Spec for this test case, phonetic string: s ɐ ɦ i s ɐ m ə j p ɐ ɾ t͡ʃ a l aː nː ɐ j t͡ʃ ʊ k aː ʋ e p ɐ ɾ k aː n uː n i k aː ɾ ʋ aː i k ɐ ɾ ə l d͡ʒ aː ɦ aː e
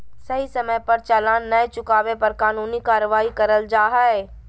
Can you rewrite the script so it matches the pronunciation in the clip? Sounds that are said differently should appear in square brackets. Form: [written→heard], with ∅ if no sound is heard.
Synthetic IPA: s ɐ ɦ i s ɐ m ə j p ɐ ɾ t͡ʃ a l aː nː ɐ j t͡ʃ ʊ k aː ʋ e p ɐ ɾ k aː n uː n i k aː ɾ ʋ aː i k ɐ ɾ ə l d͡ʒ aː ɦ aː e